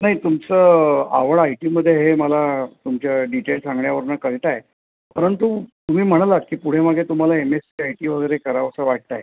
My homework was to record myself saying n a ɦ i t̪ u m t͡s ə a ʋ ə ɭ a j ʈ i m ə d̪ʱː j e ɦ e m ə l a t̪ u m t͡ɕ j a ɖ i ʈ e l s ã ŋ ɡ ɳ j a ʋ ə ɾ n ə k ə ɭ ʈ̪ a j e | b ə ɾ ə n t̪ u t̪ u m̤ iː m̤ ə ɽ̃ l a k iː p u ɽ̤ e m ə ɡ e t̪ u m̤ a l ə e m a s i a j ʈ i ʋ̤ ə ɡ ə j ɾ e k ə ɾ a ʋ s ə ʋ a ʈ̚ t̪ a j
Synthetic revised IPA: n a ɦ i t̪ u m t͡s ə a ʋ ə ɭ a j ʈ i m ə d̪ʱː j e ɦ e m ə l a t̪ u m t͡ɕ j a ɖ i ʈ e l s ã ŋ ɡ ɳ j a ʋ ə ɾ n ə k ə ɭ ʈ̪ a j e | p ə ɾ ə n t̪ u t̪ u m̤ iː m̤ ə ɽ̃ l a k iː p u ɽ̤ e m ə ɡ e t̪ u m̤ a l a e m e s i a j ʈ i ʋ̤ ə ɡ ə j ɾ e k ə ɾ a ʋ s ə ʋ a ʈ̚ t̪ a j